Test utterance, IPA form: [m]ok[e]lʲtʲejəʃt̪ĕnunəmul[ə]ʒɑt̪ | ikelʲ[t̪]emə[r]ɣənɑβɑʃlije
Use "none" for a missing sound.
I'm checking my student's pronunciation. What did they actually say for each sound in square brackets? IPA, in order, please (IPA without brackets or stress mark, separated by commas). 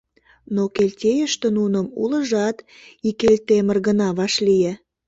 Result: n, e, ə, t̪, r